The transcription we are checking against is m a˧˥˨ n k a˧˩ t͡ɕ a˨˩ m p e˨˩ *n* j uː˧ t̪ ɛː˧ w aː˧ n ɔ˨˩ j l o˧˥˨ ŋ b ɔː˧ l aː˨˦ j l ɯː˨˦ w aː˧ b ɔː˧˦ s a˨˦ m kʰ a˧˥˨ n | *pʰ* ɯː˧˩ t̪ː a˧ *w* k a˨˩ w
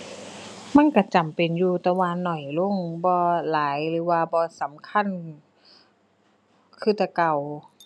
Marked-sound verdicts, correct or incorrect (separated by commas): correct, incorrect, incorrect